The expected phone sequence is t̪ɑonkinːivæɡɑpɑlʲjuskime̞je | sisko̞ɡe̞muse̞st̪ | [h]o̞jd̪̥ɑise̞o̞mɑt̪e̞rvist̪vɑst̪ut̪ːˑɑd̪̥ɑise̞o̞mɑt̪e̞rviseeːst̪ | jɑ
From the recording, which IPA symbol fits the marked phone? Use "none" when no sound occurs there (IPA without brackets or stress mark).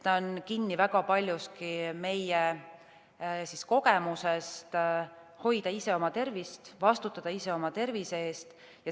h